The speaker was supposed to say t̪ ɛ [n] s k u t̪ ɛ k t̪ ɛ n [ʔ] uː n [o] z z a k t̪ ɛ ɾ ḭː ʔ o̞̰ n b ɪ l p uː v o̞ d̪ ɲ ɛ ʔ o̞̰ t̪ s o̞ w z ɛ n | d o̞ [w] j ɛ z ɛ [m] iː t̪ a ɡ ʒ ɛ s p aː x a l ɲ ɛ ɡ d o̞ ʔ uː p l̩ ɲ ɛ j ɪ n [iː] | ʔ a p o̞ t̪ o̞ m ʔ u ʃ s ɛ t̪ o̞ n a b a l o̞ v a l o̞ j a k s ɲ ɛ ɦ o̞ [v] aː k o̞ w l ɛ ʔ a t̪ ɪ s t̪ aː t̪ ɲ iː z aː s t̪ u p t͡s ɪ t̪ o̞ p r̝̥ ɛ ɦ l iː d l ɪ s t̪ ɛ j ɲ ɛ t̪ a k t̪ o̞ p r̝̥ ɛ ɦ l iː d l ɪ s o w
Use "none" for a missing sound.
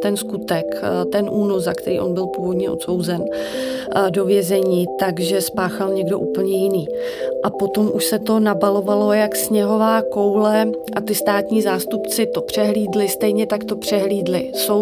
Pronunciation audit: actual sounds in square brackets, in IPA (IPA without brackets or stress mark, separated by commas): n, ʔ, o, v, ɲ, iː, v